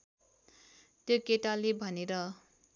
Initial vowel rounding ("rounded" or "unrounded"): rounded